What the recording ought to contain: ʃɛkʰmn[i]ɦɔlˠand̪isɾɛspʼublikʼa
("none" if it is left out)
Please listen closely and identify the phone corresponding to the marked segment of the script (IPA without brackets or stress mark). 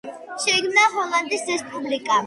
a